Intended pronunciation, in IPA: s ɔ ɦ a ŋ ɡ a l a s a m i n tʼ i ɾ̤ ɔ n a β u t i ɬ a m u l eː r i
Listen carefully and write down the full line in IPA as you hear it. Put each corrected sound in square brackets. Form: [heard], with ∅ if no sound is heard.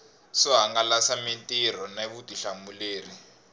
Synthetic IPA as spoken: s ɔ ɦ a ŋ ɡ a l a s a m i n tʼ i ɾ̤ ɔ n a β u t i ɬ a m u l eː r i